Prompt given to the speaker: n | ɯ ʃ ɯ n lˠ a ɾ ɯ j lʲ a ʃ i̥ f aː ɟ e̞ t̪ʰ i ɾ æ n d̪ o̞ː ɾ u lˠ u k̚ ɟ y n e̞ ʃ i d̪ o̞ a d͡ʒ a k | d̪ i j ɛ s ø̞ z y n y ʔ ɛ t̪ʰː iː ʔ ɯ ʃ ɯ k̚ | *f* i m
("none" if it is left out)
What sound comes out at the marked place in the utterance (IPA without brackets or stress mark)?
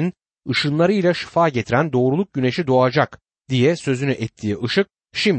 ʃ